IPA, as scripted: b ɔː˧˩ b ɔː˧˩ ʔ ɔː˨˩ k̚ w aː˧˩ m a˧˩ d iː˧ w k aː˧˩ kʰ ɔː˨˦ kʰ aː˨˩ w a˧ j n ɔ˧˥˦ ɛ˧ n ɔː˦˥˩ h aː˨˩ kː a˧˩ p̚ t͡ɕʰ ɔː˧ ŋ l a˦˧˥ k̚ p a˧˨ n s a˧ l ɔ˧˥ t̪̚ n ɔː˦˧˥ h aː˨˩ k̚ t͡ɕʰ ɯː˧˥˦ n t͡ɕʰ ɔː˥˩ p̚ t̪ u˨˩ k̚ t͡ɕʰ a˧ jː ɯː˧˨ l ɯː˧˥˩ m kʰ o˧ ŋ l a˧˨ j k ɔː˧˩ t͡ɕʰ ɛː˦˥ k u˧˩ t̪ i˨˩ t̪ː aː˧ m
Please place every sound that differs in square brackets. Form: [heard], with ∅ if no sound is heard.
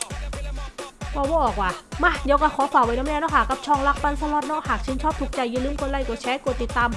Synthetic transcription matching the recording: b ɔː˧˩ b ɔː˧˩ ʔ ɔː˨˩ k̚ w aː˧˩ m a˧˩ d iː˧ w k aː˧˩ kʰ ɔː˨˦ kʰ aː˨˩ w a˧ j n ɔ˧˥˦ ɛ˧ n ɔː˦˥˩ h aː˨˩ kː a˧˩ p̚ t͡ɕʰ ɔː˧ ŋ l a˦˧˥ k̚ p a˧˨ n s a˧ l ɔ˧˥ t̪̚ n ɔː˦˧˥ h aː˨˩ k̚ t͡ɕʰ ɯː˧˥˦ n t͡ɕʰ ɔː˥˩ p̚ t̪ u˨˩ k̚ [t͡ɕ] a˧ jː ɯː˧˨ l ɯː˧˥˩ m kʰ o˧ [n] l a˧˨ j k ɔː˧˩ t͡ɕʰ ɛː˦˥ k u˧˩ t̪ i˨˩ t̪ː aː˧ m